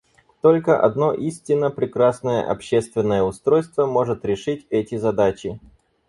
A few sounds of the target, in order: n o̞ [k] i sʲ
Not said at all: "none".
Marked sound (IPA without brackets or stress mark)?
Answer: ʔ